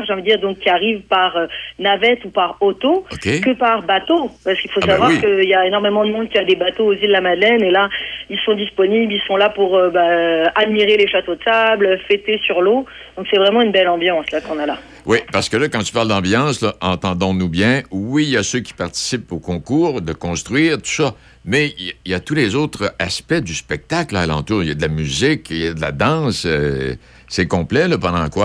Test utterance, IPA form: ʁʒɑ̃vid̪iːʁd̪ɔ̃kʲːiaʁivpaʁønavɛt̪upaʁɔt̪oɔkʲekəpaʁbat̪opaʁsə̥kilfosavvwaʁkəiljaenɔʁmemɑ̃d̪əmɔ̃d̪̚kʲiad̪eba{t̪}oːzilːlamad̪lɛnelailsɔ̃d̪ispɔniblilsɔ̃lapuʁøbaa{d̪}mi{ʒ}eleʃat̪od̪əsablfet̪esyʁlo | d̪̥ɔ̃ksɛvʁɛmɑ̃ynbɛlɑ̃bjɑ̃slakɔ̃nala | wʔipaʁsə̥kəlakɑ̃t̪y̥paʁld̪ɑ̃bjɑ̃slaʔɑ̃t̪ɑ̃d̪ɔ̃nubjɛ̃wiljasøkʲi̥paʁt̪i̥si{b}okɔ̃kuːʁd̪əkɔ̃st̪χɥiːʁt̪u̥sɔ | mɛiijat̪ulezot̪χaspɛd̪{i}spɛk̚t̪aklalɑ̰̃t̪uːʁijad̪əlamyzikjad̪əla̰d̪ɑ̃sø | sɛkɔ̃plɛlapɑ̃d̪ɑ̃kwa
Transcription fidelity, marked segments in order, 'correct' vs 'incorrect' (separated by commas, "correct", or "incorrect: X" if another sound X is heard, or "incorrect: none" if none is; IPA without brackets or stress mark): correct, correct, incorrect: ʁ, incorrect: p, incorrect: y